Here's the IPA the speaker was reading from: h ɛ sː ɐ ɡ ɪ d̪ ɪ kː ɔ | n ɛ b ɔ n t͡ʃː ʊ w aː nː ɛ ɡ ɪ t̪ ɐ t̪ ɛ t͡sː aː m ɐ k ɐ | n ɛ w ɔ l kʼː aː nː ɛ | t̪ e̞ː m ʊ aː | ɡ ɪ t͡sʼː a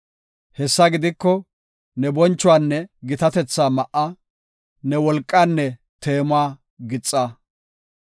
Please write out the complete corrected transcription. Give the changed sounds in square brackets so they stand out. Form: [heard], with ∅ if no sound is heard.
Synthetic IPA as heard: h ɛ sː ɐ ɡ ɪ d̪ ɪ kː ɔ | n ɛ b ɔ n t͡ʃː ʊ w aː nː ɛ ɡ ɪ t̪ ɐ t̪ ɛ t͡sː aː m ɐ [ʔ] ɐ | n ɛ w ɔ l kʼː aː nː ɛ | t̪ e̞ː m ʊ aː | ɡ ɪ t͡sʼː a